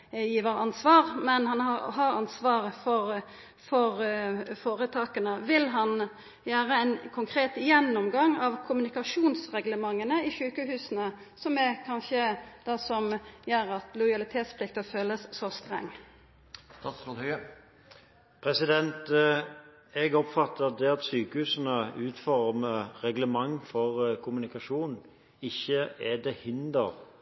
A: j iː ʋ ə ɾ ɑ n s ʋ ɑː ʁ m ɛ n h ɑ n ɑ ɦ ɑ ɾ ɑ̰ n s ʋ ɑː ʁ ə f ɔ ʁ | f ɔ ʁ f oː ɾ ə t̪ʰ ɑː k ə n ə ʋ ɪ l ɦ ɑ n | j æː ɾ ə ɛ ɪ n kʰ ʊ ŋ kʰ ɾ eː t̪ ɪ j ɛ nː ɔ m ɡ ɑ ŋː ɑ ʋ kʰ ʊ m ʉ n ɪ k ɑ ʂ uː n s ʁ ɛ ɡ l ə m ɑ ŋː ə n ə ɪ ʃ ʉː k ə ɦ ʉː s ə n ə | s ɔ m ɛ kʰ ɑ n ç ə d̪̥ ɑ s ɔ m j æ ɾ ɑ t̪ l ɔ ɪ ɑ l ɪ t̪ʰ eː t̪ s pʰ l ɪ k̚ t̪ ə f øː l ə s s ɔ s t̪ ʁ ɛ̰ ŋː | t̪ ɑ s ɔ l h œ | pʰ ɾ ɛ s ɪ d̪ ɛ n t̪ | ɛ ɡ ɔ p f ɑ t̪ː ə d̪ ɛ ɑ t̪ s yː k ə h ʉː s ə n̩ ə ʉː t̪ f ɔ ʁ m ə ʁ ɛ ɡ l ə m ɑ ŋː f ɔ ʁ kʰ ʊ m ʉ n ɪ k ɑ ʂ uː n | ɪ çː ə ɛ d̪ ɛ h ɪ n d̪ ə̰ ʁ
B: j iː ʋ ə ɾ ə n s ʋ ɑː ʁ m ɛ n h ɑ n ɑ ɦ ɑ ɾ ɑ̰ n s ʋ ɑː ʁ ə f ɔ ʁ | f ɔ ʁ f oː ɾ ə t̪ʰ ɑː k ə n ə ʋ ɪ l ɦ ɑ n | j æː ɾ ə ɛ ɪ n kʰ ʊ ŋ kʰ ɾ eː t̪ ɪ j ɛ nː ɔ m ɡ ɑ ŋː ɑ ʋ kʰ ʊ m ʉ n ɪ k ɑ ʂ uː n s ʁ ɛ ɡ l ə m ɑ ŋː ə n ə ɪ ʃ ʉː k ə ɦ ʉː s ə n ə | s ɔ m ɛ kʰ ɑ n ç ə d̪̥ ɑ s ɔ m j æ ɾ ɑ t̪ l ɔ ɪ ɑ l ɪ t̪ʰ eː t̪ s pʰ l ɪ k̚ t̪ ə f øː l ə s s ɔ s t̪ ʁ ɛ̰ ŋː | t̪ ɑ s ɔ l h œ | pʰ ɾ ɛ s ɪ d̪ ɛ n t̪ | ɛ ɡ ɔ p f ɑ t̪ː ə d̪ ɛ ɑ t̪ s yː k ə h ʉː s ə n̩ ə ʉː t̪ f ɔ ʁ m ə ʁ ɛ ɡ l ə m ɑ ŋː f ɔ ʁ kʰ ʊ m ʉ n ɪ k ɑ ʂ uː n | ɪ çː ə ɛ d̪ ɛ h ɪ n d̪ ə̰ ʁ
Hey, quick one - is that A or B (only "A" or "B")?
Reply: A